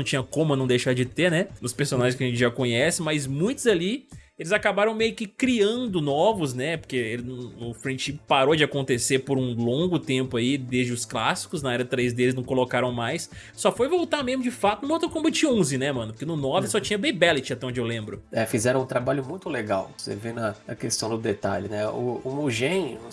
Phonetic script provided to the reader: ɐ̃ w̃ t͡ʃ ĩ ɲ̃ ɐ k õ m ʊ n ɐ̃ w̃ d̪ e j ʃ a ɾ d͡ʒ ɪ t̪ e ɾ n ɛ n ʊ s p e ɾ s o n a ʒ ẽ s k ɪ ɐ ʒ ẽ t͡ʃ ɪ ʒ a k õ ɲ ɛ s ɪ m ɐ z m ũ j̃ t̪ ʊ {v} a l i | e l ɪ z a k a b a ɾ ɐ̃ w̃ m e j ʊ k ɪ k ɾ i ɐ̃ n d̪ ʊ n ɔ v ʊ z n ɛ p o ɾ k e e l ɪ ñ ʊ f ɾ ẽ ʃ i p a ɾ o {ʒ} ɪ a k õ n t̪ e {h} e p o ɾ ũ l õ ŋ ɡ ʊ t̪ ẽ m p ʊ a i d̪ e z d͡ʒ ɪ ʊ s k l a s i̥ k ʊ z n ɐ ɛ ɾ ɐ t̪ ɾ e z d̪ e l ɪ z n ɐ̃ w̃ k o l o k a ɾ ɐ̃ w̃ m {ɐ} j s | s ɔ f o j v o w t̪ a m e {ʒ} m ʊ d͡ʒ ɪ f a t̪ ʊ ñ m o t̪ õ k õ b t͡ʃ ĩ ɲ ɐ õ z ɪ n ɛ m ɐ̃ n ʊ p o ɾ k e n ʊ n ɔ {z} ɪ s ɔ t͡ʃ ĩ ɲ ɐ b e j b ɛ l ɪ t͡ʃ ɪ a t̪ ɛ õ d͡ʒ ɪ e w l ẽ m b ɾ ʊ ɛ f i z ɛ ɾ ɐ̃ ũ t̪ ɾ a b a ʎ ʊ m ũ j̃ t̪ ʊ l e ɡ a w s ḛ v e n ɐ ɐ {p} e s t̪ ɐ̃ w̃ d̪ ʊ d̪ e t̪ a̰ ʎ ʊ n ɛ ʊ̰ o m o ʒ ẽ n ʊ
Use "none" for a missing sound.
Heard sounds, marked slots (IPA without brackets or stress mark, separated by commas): z, d͡ʒ, s, a, z, v, k